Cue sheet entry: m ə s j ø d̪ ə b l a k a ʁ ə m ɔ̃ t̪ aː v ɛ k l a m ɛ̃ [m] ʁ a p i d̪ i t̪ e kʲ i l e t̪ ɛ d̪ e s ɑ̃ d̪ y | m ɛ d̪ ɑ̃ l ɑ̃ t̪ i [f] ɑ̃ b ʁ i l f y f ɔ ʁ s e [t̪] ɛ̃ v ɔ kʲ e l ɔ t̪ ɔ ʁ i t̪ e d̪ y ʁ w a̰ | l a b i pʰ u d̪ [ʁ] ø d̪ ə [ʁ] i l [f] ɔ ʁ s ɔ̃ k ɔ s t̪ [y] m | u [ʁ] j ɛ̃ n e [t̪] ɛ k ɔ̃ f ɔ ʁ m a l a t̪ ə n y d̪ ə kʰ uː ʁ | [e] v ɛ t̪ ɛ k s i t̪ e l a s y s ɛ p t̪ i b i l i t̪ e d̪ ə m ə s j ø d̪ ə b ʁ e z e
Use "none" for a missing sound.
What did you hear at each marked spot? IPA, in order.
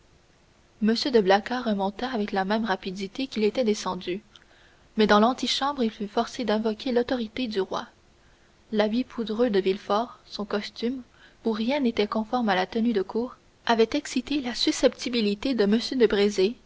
m, ʃ, d̪, ʁ, v, f, y, ʁ, t̪, a

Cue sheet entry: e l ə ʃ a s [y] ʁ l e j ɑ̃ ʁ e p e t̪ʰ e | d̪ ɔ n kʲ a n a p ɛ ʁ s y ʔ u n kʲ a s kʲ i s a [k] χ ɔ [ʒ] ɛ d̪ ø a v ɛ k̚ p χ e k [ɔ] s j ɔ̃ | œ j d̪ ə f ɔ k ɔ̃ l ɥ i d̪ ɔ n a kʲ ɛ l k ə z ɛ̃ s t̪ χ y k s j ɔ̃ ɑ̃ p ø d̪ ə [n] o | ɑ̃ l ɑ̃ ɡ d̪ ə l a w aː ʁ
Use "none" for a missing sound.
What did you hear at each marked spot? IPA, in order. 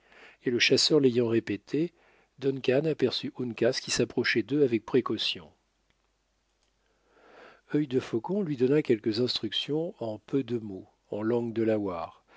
œ, p, ʃ, ɔ, m

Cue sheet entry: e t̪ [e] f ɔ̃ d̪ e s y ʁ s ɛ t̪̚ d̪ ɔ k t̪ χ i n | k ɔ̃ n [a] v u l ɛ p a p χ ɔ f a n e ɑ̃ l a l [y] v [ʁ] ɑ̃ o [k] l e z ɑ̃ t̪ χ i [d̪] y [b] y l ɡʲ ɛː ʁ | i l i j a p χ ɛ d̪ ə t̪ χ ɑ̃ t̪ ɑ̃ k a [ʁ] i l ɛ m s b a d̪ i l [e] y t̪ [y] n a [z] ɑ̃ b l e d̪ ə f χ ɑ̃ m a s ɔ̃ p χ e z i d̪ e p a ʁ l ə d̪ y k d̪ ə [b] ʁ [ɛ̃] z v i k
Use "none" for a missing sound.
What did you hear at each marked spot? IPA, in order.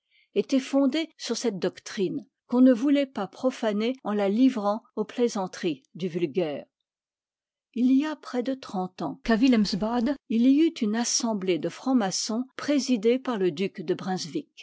ɛ, ə, i, ʁ, p, d̪, v, v, i, y, s, b, ɛ̃

